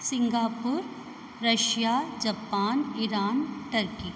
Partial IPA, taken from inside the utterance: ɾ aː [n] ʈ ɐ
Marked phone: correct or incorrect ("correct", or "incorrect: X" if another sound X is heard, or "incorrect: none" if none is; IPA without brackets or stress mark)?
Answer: correct